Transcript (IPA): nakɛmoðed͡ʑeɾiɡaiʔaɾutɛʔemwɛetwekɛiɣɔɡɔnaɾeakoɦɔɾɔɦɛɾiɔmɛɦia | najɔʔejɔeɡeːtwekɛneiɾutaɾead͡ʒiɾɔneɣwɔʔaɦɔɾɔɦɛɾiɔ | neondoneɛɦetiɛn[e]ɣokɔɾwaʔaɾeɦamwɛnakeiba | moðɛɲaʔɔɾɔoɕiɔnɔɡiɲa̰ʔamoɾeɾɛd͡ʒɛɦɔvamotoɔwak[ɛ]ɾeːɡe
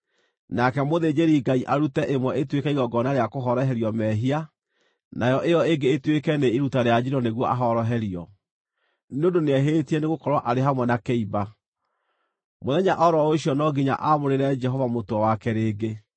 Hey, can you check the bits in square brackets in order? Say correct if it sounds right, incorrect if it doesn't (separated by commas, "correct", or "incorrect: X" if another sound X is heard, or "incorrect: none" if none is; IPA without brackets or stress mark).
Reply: correct, correct